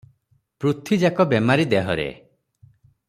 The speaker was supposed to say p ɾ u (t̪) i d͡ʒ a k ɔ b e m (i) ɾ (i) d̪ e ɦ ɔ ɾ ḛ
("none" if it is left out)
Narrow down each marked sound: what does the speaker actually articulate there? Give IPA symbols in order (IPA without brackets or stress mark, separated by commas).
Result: t̪ʰ, a, i